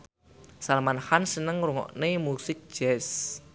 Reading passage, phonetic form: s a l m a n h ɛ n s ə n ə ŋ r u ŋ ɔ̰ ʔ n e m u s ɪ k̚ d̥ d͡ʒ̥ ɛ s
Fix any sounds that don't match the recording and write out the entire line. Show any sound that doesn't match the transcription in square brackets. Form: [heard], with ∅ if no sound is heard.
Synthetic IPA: s a l m a n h [a] n s ə n ə ŋ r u ŋ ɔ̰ ʔ n e m u s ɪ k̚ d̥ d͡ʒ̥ ɛ s